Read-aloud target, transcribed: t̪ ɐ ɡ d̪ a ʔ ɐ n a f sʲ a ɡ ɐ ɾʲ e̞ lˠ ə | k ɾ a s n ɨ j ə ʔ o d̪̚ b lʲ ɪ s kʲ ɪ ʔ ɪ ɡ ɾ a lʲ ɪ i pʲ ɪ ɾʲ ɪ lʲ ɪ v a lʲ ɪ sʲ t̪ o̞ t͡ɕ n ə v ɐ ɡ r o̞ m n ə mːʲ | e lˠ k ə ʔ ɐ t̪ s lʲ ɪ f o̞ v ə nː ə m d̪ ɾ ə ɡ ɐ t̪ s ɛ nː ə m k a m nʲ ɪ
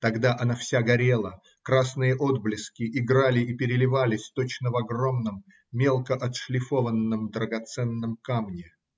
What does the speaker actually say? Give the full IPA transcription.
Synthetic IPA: t̪ ɐ ɡ d̪ a ʔ ɐ n a f sʲ a ɡ ɐ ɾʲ e̞ lˠ ə | k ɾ a s n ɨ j ə ʔ o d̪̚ b lʲ ɪ s kʲ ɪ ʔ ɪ ɡ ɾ a lʲ ɪ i pʲ ɪ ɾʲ ɪ lʲ ɪ v a lʲ ɪ sʲ t̪ o̞ t͡ɕ n ə v ɐ ɡ r o̞ m n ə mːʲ | e lˠ k ə ʔ ɐ t̪ ʂ lʲ ɪ f o̞ v ə nː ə m d̪ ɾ ə ɡ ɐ t̪ s ɛ nː ə m k a m nʲ ɪ

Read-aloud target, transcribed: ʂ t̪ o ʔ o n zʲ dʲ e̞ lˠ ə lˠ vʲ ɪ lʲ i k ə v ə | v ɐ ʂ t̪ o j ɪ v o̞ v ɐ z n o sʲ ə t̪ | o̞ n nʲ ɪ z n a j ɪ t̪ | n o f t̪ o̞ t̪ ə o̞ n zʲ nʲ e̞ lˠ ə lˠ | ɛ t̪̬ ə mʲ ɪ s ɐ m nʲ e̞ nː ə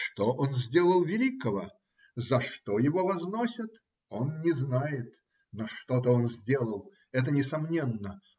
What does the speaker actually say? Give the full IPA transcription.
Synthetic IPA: ʂ t̪ o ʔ o n zʲ dʲ e̞ lˠ ə lˠ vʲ ɪ lʲ i k ə v ə | z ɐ ʂ t̪ o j ɪ v o̞ v ɐ z n o sʲ ə t̪ | o̞ n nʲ ɪ z n a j ɪ t̪ | n o ʂ t̪ o̞ t̪ ə o̞ n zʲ dʲ e̞ lˠ ə lˠ | ɛ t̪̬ ə nʲ ɪ s ɐ m nʲ e̞ nː ə

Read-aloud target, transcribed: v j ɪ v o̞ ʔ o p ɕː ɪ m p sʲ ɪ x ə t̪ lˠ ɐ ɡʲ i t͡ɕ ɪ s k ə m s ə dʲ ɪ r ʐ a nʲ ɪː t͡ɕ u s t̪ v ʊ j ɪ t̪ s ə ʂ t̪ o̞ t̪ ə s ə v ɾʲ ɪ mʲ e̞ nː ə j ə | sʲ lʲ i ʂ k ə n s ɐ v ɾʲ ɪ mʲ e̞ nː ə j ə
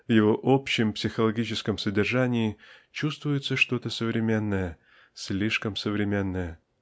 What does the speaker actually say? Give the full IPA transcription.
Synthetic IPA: v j ɪ v o̞ ʔ o p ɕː ɪ m p sʲ ɪ x ə lˠ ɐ ɡʲ i t͡ɕ ɪ s k ə m s ə dʲ ɪ r ʐ a nʲ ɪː t͡ɕ u s t̪ v ʊ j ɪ t̪ s ə ʂ t̪ o̞ t̪ ə s ə v ɾʲ ɪ mʲ e̞ nː ə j ə | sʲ lʲ i ʂ k ə m s ə v ɾʲ ɪ mʲ e̞ nː ə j ə

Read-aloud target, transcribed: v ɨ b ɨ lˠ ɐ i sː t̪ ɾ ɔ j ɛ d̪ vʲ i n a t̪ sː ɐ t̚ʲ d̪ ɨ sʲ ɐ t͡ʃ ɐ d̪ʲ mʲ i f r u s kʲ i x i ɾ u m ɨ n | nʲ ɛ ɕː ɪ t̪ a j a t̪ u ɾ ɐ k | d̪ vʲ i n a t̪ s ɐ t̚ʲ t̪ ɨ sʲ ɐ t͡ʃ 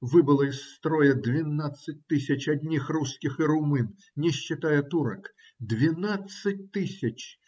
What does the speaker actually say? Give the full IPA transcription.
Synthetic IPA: v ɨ b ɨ lˠ ɐ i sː t̪ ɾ ɔ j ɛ d̪ vʲ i n a t̪ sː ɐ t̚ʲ t̪ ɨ sʲ ɐ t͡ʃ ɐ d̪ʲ nʲ i x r u s kʲ i x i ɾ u m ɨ n | nʲ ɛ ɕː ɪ t̪ a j ɛ t̪ u ɾ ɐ k | d̪ vʲ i n a t̪ s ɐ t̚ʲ t̪ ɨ sʲ ɐ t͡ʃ

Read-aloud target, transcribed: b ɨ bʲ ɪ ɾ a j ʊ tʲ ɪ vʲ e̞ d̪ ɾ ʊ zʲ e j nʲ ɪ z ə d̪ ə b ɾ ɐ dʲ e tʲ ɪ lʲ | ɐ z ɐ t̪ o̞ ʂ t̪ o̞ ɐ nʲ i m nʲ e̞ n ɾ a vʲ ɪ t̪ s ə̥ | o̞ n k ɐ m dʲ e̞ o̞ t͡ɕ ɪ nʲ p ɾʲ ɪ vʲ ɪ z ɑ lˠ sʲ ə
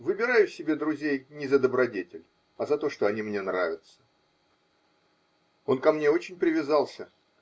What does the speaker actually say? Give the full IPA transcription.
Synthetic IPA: v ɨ bʲ ɪ ɾ a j ʊ sʲ ɪ bʲ e̞ d̪ ɾ ʊ zʲ e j nʲ ɪ z ə d̪ ə b ɾ ɐ dʲ e tʲ ɪ lʲ | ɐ z ɐ t̪ o̞ ʂ t̪ o̞ ɐ nʲ i m nʲ e̞ n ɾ a vʲ ɪ t̪ s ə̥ | o̞ n k ɐ m nʲ e̞ o̞ t͡ɕ ɪ nʲ p ɾʲ ɪ vʲ ɪ z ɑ lˠ sʲ ə

